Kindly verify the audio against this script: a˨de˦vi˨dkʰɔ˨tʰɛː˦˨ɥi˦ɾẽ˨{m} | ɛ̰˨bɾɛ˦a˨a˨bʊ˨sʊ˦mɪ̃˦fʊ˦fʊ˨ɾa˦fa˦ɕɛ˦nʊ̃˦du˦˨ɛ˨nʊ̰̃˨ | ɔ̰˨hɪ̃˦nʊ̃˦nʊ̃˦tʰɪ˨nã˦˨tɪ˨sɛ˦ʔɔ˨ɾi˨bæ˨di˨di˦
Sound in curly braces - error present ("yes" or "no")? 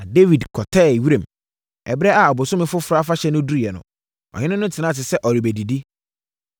no